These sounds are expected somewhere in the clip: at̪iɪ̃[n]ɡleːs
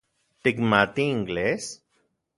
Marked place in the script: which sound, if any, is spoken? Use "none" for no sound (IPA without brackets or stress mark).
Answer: ŋ